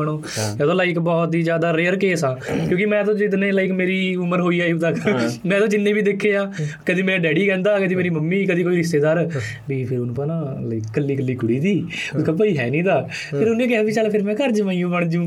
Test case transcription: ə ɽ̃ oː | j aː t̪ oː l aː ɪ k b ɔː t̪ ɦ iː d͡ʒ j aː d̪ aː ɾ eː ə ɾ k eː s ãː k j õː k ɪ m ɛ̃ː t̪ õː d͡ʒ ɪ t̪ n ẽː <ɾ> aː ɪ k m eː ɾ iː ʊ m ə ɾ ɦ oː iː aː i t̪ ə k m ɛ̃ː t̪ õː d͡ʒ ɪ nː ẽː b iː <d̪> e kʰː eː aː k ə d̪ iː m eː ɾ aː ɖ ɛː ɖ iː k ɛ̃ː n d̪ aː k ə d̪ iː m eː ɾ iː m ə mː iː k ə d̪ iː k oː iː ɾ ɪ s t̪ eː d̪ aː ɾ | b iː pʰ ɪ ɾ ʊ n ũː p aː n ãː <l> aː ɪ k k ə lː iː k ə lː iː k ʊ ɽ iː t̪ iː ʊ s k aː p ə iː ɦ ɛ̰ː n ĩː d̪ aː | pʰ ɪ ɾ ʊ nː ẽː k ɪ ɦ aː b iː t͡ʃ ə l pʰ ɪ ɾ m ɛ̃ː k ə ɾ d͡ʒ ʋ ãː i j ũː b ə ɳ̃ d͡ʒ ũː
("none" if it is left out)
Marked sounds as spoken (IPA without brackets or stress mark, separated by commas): l, d̪, l